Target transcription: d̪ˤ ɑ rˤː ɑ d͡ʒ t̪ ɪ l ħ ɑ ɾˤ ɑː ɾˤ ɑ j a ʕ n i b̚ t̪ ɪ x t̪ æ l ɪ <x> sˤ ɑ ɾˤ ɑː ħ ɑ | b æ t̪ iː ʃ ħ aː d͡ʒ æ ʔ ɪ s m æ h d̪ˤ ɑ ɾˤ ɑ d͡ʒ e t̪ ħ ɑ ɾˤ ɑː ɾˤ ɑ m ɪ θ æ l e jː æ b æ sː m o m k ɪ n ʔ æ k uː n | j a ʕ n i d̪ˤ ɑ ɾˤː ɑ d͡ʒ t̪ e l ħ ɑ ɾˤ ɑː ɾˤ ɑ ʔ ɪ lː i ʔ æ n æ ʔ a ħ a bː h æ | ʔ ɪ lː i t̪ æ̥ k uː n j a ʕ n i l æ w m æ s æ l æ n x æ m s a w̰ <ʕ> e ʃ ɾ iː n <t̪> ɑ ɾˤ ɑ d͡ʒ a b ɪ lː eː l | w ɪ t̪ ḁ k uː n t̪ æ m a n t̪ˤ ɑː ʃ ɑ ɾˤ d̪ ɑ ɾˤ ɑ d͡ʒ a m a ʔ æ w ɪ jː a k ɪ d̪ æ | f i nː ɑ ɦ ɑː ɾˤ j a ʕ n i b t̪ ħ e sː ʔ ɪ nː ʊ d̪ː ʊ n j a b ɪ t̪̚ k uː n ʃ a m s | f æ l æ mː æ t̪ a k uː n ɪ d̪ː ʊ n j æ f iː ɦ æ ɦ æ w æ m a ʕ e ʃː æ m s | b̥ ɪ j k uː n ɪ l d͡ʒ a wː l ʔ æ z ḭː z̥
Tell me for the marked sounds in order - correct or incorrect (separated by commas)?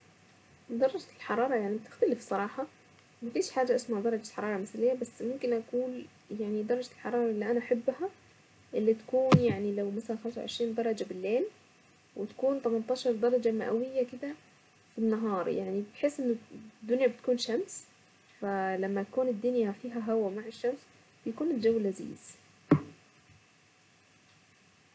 incorrect, correct, incorrect